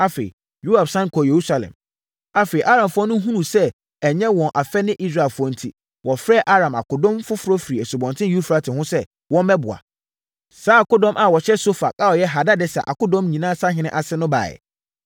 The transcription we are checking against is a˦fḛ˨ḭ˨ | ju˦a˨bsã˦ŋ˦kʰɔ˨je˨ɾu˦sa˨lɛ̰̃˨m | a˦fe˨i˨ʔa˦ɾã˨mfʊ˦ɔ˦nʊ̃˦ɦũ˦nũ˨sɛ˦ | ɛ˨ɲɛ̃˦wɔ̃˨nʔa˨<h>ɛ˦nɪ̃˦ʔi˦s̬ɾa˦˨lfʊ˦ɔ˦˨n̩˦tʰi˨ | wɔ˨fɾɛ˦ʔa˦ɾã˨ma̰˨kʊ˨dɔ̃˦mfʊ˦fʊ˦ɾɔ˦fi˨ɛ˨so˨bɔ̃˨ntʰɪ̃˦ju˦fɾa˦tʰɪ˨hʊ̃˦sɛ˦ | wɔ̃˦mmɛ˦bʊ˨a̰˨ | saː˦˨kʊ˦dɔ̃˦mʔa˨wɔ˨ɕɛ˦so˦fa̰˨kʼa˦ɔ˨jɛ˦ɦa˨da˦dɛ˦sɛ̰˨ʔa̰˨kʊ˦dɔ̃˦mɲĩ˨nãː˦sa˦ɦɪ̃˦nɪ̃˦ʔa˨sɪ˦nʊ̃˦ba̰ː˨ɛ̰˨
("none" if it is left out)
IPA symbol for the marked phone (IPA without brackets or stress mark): f